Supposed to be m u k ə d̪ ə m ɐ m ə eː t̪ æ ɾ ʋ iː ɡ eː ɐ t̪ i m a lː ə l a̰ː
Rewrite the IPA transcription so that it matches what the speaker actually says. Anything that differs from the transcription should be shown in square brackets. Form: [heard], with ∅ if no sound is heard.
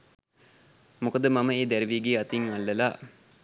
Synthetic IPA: m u k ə d̪ ə m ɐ m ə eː [d̪] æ ɾ ʋ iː ɡ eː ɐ t̪ i [ŋ] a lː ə l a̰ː

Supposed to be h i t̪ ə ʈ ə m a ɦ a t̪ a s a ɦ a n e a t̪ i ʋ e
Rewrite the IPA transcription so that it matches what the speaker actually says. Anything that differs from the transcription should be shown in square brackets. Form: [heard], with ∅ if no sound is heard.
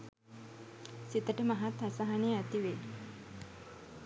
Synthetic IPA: [s] i t̪ ə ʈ ə m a ɦ a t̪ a s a ɦ a n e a t̪ i ʋ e

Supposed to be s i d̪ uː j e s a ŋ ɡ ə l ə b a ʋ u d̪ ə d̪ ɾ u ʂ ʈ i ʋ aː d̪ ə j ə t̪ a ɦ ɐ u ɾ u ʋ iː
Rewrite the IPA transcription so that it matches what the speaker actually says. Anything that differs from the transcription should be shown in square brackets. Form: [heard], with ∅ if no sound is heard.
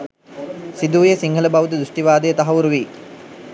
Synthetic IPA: s i d̪ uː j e s [i] ŋ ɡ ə l ə b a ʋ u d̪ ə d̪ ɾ u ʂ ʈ i ʋ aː d̪ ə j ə t̪ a ɦ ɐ u ɾ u ʋ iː

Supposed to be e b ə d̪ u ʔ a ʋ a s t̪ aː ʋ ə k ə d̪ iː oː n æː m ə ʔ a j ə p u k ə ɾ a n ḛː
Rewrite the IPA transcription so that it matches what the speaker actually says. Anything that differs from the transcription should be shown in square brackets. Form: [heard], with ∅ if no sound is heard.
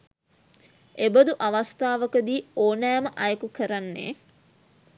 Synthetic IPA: e b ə d̪ u ʔ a ʋ a s t̪ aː ʋ ə k ə d̪ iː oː n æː m ə ʔ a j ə [k] u k ə ɾ a [nː] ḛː

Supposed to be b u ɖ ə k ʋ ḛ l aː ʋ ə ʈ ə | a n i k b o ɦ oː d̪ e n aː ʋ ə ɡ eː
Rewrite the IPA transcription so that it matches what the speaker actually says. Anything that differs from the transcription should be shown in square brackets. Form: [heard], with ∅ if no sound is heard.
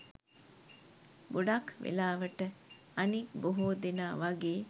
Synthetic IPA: b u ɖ [a] k ʋ ḛ l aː ʋ ə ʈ ə | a n i k b o ɦ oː d̪ e n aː ʋ [a] ɡ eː

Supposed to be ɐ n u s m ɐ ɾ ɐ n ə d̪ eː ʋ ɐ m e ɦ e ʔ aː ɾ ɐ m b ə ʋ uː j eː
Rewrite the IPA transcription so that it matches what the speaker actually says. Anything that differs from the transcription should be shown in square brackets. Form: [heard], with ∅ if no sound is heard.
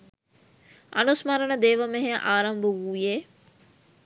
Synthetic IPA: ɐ n u s m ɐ ɾ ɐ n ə d̪ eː ʋ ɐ m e ɦ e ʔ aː ɾ ɐ m b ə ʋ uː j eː

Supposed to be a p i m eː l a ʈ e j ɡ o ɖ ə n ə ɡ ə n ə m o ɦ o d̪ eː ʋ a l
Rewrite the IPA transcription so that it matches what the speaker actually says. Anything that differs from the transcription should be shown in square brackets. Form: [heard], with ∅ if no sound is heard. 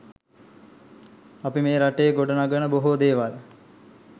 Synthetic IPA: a p i m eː [ɾ] a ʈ e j ɡ o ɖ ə n [a] ɡ ə n ə [b] o ɦ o d̪ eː ʋ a l

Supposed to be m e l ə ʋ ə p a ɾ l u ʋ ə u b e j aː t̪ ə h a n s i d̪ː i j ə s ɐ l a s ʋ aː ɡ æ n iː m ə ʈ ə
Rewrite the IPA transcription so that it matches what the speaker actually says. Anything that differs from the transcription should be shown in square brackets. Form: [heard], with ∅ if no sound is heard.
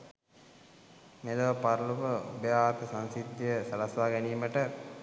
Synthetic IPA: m e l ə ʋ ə p a ɾ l u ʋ ə u b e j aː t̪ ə [s] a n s i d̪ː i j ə s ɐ l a s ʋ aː ɡ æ n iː m ə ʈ ə

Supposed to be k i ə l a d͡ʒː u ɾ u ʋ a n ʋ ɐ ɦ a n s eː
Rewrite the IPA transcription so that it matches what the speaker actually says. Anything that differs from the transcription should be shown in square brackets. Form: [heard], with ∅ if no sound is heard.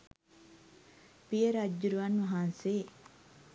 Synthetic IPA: [p] i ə [ɾ] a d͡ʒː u ɾ u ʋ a n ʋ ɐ ɦ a n s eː

